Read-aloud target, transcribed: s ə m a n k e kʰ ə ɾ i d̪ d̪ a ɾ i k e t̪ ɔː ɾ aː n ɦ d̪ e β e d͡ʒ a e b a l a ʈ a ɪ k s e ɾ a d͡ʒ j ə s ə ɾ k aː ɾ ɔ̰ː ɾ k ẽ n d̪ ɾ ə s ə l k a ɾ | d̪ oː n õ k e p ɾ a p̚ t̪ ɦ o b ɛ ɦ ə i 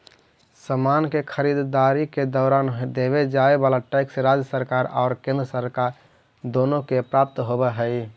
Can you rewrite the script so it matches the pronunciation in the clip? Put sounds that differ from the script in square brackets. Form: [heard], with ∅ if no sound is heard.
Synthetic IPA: s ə m a n k e kʰ ə ɾ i d̪ d̪ a ɾ i k e [d̪] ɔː ɾ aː n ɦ d̪ e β e d͡ʒ a e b a l a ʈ a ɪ k s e ɾ a d͡ʒ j ə s ə ɾ k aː ɾ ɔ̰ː ɾ k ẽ n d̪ ɾ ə s ə [ɾ] k a ɾ | d̪ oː n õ k e p ɾ a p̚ t̪ ɦ o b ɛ ɦ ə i